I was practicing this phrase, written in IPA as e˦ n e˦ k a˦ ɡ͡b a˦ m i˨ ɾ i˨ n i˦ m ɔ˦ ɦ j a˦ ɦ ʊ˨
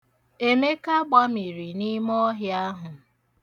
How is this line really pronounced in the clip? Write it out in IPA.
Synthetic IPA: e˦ m e˦ k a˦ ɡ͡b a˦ m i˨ ɾ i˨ n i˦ m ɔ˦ ɦ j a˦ ɦ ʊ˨